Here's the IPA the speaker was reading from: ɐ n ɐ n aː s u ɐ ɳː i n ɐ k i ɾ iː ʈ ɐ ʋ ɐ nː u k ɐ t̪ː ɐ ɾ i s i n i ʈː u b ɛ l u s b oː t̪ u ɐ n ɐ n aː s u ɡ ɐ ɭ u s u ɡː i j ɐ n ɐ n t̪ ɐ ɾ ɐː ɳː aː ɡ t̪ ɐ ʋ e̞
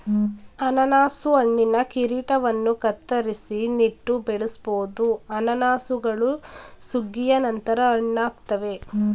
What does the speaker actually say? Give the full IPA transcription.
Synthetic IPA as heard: ɐ n ɐ n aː s u ɐ ɳː i n ɐ k i ɾ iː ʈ ɐ ʋ ɐ nː u k ɐ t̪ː ɐ ɾ i s i n i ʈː u b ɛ ɭ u s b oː d̪ u ɐ n ɐ n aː s u ɡ ɐ ɭ u s u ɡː i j ɐ n ɐ n t̪ ɐ ɾ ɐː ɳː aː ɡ t̪ ɐ ʋ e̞